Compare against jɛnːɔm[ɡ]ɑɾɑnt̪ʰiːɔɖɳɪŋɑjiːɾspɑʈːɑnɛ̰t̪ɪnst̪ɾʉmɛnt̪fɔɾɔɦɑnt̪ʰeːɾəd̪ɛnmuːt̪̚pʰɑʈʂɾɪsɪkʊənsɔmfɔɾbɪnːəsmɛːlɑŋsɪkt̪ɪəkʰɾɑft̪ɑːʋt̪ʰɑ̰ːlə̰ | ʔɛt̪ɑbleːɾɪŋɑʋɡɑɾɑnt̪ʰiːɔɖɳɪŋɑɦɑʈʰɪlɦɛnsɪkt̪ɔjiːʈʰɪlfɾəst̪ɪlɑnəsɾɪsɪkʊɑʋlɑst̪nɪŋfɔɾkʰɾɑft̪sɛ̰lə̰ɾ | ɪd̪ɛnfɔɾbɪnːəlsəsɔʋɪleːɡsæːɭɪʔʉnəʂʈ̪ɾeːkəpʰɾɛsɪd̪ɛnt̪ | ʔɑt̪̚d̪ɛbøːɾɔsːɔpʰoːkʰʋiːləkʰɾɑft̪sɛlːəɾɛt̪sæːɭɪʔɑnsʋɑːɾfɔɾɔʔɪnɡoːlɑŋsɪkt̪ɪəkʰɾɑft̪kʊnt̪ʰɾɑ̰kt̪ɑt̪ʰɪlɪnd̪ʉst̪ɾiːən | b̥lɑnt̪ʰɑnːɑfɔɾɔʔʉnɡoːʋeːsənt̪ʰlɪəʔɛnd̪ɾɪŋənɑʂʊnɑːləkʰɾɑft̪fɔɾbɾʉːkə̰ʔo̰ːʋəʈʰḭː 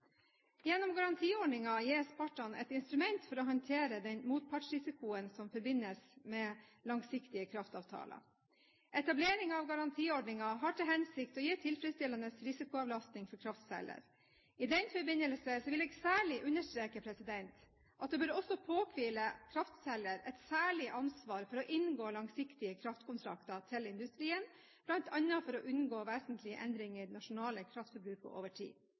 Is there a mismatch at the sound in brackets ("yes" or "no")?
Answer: no